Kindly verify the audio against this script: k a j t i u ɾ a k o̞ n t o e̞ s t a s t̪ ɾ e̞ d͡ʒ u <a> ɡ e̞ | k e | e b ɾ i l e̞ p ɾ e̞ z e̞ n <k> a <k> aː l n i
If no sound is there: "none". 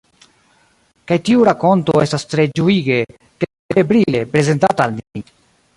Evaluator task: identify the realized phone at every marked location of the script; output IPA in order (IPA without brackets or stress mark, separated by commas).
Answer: i, t, t